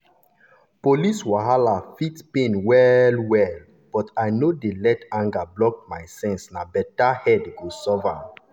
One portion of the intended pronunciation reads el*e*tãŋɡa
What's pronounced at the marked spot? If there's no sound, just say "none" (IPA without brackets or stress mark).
ɛ